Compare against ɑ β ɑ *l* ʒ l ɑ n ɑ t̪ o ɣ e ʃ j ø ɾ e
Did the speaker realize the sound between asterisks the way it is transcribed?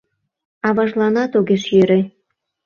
no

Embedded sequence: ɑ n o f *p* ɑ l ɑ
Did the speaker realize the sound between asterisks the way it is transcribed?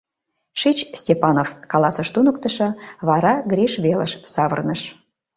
no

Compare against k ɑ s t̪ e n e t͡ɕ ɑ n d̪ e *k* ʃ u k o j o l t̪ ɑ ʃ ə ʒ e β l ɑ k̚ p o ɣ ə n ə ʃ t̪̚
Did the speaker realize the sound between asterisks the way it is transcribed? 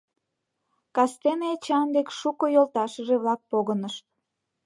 yes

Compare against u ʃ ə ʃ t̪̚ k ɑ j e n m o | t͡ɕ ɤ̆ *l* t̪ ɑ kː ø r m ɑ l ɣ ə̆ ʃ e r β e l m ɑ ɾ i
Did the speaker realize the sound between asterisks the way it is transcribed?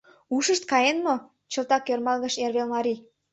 yes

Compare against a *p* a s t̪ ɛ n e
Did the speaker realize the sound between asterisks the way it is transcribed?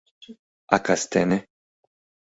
no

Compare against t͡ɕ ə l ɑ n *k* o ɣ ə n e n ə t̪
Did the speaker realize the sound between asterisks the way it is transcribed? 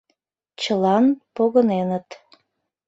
no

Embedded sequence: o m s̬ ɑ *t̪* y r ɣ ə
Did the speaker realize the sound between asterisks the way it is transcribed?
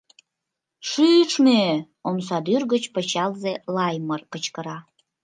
no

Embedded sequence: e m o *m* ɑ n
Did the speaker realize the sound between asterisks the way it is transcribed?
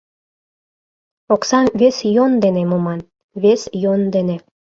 yes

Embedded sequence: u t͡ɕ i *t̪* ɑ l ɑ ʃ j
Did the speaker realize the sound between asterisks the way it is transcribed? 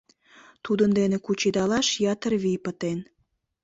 no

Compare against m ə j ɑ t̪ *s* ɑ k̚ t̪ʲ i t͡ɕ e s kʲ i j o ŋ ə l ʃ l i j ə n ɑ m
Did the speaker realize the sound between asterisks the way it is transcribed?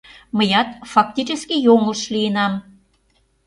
no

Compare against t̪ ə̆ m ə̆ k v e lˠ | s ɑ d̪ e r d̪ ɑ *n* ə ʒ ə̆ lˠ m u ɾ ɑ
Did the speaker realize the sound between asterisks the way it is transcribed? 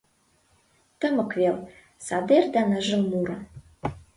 yes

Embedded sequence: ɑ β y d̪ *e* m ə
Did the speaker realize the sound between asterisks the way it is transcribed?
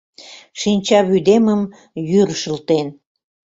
yes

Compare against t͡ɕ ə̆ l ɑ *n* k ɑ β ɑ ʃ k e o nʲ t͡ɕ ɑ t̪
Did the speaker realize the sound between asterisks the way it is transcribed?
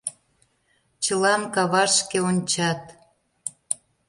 no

